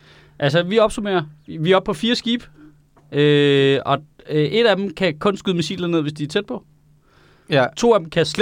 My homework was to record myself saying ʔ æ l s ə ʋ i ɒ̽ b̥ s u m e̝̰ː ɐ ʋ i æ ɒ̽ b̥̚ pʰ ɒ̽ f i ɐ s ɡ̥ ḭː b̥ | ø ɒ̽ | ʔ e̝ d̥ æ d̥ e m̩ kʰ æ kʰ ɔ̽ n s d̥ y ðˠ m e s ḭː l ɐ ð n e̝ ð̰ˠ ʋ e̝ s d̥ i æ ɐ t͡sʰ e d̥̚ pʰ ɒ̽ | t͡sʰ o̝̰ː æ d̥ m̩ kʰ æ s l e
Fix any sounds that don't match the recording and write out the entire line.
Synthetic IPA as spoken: ʔ æ l s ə ʋ i ɒ̽ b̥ s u m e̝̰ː ɐ ʋ i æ ɒ̽ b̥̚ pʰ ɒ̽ f iː ɐ s ɡ̥ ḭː b̥ | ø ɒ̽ | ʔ e̝ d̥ æ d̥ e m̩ kʰ æ kʰ ɔ̽ n s ɡ̥ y ðˠ m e s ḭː l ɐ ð n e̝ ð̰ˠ ʋ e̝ s d̥ i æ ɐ t͡sʰ e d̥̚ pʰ ɒ̽ | t͡sʰ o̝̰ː æ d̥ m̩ kʰ æ s l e